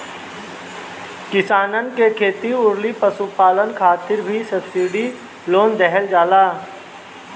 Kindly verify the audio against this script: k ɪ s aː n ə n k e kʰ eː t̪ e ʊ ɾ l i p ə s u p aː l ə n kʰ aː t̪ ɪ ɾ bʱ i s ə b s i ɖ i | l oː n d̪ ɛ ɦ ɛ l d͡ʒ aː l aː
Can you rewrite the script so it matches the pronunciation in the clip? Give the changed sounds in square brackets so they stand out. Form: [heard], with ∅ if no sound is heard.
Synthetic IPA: k ɪ s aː n ə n k e kʰ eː t̪ [i] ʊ ɾ l i p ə s u p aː l ə n kʰ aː t̪ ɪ ɾ bʱ i s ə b s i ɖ i | l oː n d̪ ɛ ɦ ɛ l d͡ʒ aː l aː